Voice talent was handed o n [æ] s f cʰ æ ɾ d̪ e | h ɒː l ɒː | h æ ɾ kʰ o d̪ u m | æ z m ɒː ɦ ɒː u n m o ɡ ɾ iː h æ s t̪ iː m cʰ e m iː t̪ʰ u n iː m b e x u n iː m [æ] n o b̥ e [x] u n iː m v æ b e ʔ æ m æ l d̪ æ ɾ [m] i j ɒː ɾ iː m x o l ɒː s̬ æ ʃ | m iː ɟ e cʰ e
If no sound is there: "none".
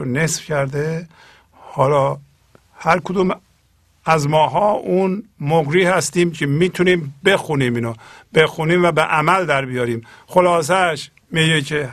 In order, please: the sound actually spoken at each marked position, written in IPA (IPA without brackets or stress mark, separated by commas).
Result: e, i, x, b